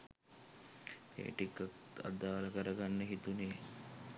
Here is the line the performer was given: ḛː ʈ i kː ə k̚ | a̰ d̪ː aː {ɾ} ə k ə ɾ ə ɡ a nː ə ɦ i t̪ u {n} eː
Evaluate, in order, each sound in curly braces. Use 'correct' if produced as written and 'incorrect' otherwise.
incorrect, correct

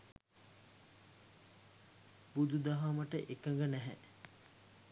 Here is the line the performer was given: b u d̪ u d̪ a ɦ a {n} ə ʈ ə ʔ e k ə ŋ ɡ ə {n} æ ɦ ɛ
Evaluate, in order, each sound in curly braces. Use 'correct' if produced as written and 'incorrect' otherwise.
incorrect, correct

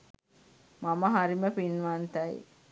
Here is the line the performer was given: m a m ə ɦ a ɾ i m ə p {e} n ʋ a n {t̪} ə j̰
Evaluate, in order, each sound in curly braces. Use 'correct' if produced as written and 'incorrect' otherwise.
incorrect, correct

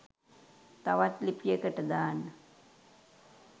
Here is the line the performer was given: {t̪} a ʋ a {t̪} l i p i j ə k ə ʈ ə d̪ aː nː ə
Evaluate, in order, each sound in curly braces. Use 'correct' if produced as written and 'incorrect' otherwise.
correct, correct

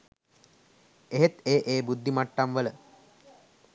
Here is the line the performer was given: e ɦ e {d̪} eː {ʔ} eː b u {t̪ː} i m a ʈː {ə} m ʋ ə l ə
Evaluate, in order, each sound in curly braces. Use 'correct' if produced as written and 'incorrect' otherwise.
incorrect, correct, incorrect, incorrect

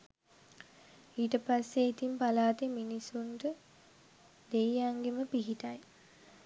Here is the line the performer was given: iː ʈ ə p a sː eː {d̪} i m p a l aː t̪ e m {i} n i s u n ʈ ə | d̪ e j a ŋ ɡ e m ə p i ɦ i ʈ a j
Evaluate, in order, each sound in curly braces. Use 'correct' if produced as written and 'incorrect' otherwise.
incorrect, correct

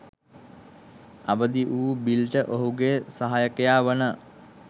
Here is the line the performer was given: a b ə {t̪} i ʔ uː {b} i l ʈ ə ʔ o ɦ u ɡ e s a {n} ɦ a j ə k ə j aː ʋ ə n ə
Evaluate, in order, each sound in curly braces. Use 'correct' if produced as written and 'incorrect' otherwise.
incorrect, correct, incorrect

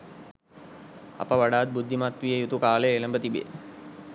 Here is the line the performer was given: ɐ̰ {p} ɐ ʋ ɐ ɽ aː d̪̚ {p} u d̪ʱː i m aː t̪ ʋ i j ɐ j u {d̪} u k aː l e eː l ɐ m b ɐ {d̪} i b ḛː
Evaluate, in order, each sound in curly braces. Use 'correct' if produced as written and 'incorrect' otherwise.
correct, incorrect, incorrect, incorrect

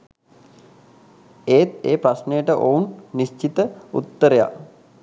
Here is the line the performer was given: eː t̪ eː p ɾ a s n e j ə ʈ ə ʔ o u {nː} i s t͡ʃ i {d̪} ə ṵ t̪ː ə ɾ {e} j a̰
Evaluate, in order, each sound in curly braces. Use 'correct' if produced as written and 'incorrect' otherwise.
correct, incorrect, correct

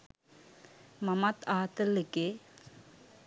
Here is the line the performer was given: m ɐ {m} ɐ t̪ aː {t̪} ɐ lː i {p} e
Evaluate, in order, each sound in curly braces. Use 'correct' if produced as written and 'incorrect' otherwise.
correct, correct, incorrect

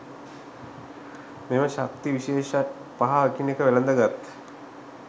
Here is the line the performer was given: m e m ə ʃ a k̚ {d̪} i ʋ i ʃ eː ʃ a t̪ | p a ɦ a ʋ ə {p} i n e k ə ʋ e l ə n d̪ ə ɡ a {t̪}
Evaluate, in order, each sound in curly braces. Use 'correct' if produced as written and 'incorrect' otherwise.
incorrect, incorrect, correct

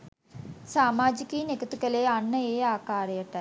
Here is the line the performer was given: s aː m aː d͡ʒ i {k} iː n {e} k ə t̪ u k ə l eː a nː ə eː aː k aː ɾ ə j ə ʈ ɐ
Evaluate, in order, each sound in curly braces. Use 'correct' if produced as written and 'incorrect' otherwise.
correct, correct

